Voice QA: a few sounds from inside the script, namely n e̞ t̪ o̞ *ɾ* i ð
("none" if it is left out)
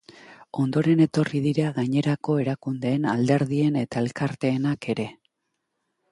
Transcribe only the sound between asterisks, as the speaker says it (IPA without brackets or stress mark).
r